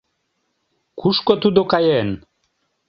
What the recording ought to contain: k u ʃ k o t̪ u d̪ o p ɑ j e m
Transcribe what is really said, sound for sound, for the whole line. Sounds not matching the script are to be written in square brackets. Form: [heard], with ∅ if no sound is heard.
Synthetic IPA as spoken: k u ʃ k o t̪ u d̪ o [k] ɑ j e [n]